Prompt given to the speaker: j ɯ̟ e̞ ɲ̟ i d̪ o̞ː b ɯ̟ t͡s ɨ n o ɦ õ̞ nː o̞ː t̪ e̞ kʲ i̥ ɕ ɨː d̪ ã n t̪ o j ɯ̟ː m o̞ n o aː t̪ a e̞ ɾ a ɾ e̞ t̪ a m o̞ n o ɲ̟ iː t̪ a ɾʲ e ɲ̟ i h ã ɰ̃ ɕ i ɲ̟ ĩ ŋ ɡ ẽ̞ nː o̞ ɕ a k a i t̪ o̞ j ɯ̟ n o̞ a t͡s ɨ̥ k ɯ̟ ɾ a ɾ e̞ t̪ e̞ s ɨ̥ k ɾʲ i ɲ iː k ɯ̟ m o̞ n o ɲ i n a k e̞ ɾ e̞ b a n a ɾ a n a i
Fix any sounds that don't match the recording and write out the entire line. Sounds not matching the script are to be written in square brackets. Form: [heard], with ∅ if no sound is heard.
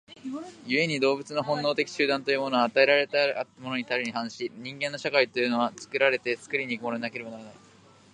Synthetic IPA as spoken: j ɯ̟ e̞ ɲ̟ i d̪ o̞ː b ɯ̟ t͡s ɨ n o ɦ õ̞ nː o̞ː t̪ e̞ kʲ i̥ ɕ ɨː d̪ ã n t̪ o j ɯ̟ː m o̞ n o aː t̪ a e̞ ɾ a ɾ e̞ t̪ a m o̞ n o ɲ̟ [i] t̪ a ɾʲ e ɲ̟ i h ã ɰ̃ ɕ i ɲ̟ ĩ ŋ ɡ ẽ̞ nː o̞ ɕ a k a i t̪ o̞ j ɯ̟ n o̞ a t͡s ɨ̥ k ɯ̟ ɾ a ɾ e̞ t̪ e̞ s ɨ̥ k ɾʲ i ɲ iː k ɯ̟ m o̞ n o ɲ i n a k e̞ ɾ e̞ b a n a ɾ a n a i

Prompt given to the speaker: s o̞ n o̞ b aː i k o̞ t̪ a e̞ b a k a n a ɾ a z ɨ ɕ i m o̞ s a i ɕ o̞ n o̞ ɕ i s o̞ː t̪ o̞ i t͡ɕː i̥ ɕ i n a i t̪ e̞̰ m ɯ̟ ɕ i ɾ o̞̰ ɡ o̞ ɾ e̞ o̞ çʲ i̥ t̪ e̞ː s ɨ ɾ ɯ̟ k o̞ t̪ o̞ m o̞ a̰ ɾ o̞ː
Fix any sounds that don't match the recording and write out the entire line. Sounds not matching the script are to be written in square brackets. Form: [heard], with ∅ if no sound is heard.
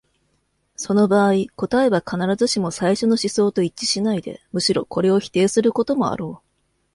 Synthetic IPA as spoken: s o̞ n o̞ b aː i k o̞ t̪ a e̞ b a k a n a ɾ a z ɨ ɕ i m o̞ s a i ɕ o̞ n o̞ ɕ i s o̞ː t̪ o̞ i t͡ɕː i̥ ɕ i n a i [d̪] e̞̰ m ɯ̟ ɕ i ɾ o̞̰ [k] o̞ ɾ e̞ o̞ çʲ i̥ t̪ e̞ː s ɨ ɾ ɯ̟ k o̞ t̪ o̞ m o̞ a̰ ɾ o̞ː

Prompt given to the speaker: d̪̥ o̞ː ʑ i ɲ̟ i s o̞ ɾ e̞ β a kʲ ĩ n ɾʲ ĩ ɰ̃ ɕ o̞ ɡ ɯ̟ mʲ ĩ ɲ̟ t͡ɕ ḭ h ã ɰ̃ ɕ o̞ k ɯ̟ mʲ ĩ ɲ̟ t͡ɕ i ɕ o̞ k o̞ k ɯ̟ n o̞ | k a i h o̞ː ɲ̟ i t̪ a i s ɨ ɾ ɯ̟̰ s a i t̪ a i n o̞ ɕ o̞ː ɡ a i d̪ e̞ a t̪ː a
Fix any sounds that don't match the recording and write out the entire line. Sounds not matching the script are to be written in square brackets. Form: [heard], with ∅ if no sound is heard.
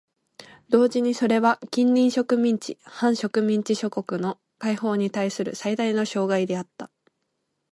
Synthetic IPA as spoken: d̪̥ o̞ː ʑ i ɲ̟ i s o̞ ɾ e̞ β a kʲ ĩ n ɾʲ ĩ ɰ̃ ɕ o̞ [k] ɯ̟ mʲ ĩ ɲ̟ t͡ɕ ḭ h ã ɰ̃ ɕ o̞ k ɯ̟ mʲ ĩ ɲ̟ t͡ɕ i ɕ o̞ k o̞ k ɯ̟ n o̞ | k a i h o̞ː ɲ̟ i t̪ a i s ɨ ɾ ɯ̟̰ s a i [d̪] a i n o̞ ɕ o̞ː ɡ a i d̪ e̞ a t̪ː a

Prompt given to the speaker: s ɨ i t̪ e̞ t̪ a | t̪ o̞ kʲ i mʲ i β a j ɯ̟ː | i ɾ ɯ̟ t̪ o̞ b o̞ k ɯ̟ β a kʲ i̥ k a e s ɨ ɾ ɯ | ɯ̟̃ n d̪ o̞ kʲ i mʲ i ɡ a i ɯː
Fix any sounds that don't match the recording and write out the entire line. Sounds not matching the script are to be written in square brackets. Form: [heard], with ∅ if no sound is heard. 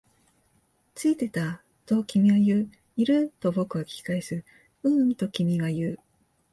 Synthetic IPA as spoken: [t͡s] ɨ i t̪ e̞ t̪ a | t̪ o̞ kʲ i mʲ i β a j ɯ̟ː | i ɾ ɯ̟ t̪ o̞ b o̞ k ɯ̟ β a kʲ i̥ k a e s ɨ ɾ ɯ | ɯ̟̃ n [t̪] o̞ kʲ i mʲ i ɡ a [j] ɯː

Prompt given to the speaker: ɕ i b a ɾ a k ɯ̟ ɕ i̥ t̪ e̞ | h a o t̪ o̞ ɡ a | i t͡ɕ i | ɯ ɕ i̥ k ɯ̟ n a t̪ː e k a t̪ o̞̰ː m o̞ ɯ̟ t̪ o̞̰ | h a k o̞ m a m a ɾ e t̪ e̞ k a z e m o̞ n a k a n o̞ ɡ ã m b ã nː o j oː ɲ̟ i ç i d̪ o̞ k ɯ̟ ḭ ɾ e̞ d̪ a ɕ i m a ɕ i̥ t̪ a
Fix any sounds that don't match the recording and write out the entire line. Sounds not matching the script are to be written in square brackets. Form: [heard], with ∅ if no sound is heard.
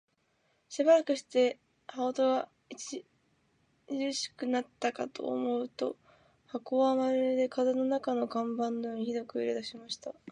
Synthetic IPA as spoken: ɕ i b a ɾ a k ɯ̟ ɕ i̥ t̪ e̞ | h a o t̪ o̞ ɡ a | i t͡ɕ i | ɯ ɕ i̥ k ɯ̟ n a t̪ː [a] k a t̪ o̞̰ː m o̞ ɯ̟ t̪ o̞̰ | h a k o̞ [∅] a m a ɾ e [d̪] e̞ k a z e [n] o̞ n a k a n o̞ ɡ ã m b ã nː o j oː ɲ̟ i ç i d̪ o̞ k ɯ̟ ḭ ɾ e̞ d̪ a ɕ i m a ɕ i̥ t̪ a

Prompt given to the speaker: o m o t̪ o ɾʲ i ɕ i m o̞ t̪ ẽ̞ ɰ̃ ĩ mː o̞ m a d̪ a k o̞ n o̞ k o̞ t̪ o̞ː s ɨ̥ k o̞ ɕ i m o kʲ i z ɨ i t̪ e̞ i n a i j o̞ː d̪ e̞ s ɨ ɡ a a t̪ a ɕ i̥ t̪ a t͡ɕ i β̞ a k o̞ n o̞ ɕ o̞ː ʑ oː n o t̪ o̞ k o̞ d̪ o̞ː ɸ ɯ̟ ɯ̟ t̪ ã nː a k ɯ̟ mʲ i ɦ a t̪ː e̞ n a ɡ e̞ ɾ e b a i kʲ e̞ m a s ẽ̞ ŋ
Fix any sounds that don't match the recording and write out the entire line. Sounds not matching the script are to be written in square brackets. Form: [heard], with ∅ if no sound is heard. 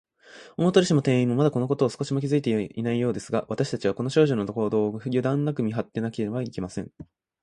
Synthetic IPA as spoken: o m o t̪ o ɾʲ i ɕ i m o̞ t̪ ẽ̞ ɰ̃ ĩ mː o̞ m a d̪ a k o̞ n o̞ k o̞ t̪ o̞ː s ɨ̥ k o̞ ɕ i m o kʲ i z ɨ i t̪ e̞ i n a i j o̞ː d̪ e̞ s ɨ ɡ a a t̪ a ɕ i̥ t̪ a t͡ɕ i β̞ a k o̞ n o̞ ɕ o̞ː ʑ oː n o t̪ o̞ k o̞ d̪ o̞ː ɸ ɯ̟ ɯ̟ [d̪] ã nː a k ɯ̟ mʲ i ɦ a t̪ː e̞ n a [k] e̞ ɾ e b a i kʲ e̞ m a s ẽ̞ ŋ

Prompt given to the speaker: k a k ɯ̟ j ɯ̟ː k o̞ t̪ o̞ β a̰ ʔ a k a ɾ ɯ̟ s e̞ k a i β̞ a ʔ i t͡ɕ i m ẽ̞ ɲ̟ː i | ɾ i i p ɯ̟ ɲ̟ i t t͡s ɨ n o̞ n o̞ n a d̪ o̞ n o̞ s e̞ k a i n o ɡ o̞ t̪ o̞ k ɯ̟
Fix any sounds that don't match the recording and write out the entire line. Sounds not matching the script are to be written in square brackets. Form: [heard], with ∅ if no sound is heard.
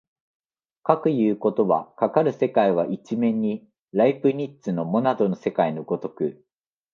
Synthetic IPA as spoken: k a k ɯ̟ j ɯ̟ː k o̞ t̪ o̞ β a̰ [k] a k a ɾ ɯ̟ s e̞ k a i β̞ a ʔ i t͡ɕ i m ẽ̞ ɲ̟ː i | ɾ [a] i p ɯ̟ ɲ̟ i t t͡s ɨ n o̞ [m] o̞ n a d̪ o̞ n o̞ s e̞ k a i n o ɡ o̞ t̪ o̞ k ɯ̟

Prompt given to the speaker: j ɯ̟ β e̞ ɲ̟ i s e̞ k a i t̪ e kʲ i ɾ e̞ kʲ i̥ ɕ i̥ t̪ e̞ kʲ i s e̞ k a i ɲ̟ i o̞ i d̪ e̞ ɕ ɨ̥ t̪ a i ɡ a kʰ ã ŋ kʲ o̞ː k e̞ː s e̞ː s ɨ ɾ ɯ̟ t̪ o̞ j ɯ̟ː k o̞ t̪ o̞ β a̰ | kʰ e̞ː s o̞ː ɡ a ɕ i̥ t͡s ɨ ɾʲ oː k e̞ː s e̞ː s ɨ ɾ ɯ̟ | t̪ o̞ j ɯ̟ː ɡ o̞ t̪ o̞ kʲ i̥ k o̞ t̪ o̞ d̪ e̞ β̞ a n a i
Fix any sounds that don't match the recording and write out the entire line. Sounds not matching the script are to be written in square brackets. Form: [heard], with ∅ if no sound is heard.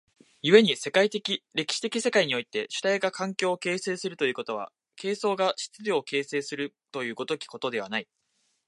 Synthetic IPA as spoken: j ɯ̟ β e̞ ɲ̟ i s e̞ k a i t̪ e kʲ i ɾ e̞ kʲ i̥ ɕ i̥ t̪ e̞ kʲ i s e̞ k a i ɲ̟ i o̞ i [t̪] e̞ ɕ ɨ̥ t̪ a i ɡ a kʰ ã ŋ kʲ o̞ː k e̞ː s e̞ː s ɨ ɾ ɯ̟ t̪ o̞ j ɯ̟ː k o̞ t̪ o̞ β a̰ | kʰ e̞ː s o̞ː ɡ a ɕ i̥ t͡s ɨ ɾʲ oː k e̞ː s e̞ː s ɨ ɾ ɯ̟ | t̪ o̞ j ɯ̟ː ɡ o̞ t̪ o̞ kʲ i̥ k o̞ t̪ o̞ d̪ e̞ β̞ a n a i

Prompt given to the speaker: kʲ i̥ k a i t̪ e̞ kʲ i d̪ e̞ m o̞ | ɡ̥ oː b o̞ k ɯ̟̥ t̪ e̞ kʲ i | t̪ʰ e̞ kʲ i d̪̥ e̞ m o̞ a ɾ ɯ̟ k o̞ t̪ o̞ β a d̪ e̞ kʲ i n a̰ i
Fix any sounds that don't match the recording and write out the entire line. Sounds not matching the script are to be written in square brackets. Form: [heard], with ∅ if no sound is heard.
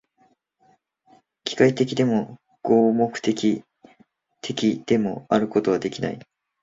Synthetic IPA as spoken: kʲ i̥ k a i t̪ e̞ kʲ i d̪ e̞ m o̞ | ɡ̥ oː [m] o̞ k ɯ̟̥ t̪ e̞ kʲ i | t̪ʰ e̞ kʲ i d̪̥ e̞ m o̞ a ɾ ɯ̟ k o̞ t̪ o̞ β a d̪ e̞ kʲ i n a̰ i

